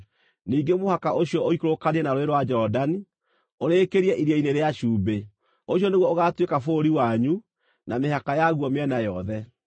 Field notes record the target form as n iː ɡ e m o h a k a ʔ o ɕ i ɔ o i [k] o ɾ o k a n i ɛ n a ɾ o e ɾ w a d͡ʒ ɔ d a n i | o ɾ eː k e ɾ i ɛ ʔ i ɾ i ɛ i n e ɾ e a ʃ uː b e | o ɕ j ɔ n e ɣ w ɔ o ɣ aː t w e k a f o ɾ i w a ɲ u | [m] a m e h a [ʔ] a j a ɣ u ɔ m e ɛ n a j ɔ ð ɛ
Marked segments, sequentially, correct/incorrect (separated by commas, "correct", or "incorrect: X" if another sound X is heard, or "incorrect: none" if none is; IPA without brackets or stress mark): correct, incorrect: n, incorrect: k